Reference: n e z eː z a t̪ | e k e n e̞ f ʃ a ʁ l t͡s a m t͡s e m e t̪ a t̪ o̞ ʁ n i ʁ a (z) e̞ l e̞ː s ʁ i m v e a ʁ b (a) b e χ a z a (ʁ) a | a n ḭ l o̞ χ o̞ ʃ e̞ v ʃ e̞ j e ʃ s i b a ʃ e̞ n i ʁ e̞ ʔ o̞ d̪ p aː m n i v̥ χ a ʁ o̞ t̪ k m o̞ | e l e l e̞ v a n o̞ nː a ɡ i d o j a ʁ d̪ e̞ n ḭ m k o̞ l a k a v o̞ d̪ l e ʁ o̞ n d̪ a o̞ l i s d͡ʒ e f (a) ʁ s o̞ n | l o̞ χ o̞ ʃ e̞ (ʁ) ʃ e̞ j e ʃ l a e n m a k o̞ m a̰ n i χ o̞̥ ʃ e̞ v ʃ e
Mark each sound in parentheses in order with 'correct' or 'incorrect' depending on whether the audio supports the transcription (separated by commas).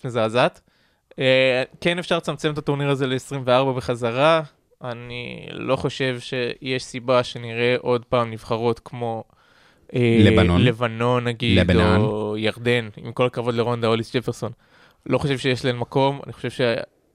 correct, correct, correct, incorrect, incorrect